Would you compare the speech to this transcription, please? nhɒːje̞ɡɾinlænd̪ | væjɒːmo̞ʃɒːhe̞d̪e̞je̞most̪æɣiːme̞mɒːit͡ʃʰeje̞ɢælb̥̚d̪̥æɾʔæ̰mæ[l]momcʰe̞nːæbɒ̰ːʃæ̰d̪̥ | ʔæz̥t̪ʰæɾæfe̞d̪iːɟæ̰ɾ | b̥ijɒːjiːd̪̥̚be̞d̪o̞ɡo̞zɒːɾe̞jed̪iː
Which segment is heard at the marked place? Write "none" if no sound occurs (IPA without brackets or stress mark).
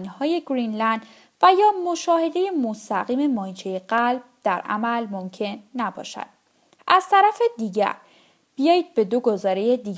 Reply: l